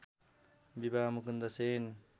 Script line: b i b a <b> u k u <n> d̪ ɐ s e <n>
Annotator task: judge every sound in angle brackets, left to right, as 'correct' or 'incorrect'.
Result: incorrect: m, correct, correct

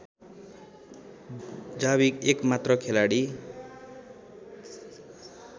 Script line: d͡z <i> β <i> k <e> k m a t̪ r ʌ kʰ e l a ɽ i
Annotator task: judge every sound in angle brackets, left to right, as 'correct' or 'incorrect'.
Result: incorrect: a, correct, correct

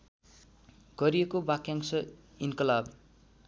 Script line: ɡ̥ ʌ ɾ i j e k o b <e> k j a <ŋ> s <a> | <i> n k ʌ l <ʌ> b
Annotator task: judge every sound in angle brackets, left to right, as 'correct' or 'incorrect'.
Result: incorrect: a, correct, incorrect: ʌ, correct, incorrect: a

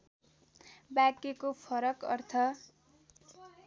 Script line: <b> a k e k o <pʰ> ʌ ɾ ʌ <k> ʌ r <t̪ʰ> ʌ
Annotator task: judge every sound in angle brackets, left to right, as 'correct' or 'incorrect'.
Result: correct, correct, correct, correct

